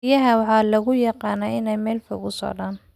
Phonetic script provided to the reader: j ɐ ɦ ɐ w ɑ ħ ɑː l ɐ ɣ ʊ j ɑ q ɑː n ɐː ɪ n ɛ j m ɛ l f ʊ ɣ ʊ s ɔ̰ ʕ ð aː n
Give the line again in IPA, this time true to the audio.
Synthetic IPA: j ɐ ɦ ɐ w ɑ ħ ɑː l ɐ ɣ ʊ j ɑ q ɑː n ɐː ɪ n ɛ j m ɛː l f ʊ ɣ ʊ s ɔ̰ ʕ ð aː n